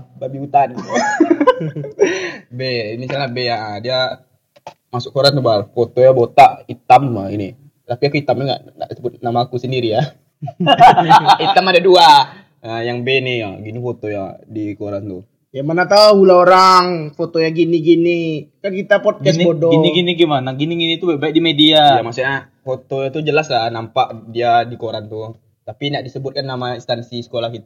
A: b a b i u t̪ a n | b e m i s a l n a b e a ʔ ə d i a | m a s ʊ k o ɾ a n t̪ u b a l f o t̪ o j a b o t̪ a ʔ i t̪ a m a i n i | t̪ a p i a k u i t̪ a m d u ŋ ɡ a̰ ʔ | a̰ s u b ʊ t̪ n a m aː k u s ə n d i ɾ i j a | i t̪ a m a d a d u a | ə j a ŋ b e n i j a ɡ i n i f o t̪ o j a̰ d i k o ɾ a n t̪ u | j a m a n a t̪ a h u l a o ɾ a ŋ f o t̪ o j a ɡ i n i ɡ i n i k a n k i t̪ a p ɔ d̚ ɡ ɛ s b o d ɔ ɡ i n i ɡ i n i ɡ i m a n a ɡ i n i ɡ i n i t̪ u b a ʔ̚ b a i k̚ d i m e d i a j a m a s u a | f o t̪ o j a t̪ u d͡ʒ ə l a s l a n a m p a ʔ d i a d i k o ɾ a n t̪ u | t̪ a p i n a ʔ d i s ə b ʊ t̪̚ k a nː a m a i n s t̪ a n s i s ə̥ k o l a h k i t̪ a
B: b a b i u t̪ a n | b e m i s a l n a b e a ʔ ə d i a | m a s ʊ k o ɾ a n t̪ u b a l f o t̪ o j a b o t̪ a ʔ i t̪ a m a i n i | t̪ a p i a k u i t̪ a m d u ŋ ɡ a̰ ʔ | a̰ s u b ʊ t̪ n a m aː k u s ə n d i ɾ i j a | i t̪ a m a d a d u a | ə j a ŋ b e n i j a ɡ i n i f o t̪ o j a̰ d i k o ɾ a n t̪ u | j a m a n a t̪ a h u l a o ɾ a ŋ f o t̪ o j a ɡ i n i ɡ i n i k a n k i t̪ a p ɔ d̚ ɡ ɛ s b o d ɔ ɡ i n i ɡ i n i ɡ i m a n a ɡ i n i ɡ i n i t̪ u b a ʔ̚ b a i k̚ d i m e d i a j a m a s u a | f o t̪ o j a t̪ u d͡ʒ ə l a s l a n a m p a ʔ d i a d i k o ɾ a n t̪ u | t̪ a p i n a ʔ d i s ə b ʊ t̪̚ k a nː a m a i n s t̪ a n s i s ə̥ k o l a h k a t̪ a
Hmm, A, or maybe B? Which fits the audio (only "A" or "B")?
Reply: A